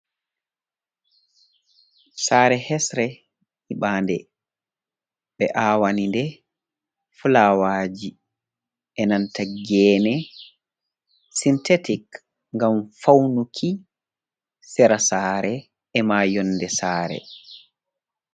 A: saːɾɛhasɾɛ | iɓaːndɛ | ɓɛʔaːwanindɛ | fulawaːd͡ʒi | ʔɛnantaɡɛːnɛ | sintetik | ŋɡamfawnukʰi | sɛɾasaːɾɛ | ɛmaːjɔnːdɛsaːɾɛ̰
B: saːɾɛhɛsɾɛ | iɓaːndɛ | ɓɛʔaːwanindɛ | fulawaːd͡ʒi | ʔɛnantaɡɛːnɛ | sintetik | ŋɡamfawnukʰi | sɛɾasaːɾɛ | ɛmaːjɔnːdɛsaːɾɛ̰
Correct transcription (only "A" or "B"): B